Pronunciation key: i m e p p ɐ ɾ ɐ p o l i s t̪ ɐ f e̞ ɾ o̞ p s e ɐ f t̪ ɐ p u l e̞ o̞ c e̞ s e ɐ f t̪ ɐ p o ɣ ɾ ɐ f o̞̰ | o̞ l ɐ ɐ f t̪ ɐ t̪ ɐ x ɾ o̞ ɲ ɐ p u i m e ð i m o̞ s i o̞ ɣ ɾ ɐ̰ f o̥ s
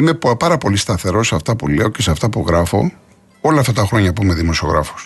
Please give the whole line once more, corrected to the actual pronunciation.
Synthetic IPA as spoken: i m e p p ɐ ɾ ɐ p o l i s t̪ ɐ θ e̞ ɾ o̞ s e ɐ f t̪ ɐ p u l e̞ o̞ c e̞ s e ɐ f t̪ ɐ p u ɣ ɾ ɐ f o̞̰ | o̞ l ɐ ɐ f t̪ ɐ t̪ ɐ x ɾ o̞ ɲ ɐ p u i m e ð i m o̞ s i o̞ ɣ ɾ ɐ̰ f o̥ s